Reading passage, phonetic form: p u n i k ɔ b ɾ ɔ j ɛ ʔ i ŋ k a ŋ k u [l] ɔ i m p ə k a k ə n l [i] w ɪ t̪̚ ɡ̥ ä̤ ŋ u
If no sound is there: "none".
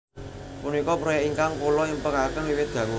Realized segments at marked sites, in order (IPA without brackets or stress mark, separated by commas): l, i